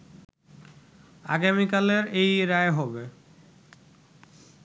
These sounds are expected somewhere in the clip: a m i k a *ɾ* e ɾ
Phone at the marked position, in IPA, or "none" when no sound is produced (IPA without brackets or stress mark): l